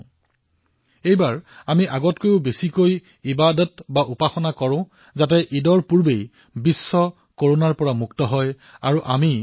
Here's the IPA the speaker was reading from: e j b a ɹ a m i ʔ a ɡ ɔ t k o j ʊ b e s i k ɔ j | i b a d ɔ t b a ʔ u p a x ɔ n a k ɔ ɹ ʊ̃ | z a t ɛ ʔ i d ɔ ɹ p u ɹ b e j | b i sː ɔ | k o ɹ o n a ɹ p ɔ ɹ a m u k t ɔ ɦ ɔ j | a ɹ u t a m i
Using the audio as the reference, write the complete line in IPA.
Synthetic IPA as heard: e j b a ɹ a m i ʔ a ɡ ɔ t k o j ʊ b e s i k o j | i b a d ɔ t b a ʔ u p a x ɔ n a k ɔ ɹ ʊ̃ | z a t ɛ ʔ i d ɔ ɹ p u ɹ b e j | b i sː ɔ | k o ɹ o n a ɹ p ɔ ɹ a m u k t ɔ ɦ ɔ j | a ɹ u ʔ a m i